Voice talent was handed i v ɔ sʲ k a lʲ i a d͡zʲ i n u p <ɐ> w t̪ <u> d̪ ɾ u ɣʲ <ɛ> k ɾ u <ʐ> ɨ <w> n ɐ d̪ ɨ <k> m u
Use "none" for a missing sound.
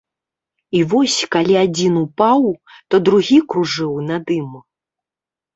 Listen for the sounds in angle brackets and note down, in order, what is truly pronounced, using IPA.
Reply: a, ɔ, i, ʐ, w, none

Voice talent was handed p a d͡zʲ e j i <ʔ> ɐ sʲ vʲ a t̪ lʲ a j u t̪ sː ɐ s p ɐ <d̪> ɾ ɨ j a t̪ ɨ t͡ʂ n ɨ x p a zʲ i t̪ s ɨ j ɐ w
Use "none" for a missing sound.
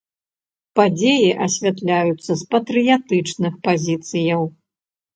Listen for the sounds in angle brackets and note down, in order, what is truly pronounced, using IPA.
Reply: ʔ, t̪

